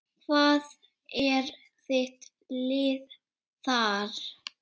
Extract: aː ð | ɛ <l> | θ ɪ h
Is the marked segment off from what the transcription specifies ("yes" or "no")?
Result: yes